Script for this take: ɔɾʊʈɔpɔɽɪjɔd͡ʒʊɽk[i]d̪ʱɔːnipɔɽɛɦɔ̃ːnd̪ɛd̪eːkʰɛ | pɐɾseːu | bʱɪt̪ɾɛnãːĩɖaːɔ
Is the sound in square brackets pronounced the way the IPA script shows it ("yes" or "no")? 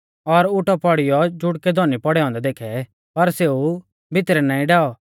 no